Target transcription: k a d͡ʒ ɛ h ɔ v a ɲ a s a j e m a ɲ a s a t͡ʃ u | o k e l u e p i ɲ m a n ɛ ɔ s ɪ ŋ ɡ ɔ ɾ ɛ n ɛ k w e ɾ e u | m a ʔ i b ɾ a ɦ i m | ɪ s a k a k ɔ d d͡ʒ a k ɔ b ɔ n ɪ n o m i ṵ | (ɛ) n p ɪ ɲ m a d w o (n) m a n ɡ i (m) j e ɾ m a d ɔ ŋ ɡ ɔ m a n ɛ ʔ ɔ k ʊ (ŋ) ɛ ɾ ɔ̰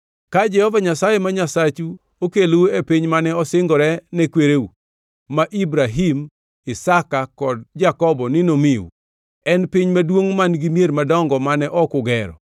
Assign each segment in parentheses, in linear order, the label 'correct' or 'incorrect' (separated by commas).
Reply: correct, incorrect, correct, incorrect